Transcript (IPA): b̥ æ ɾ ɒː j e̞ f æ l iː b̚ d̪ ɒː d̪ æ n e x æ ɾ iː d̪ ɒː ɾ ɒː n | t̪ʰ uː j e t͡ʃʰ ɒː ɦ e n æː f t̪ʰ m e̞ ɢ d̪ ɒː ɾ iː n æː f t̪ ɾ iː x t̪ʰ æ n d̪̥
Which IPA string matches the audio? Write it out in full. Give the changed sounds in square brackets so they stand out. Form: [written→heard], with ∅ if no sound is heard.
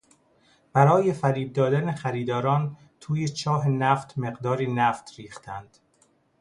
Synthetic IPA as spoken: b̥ æ ɾ ɒː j e̞ f æ [l→ɾ] iː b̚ d̪ ɒː d̪ æ n e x æ ɾ iː d̪ ɒː ɾ ɒː n | t̪ʰ uː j e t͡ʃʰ ɒː ɦ e n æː f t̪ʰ m e̞ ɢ d̪ ɒː ɾ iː n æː f t̪ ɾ iː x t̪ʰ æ n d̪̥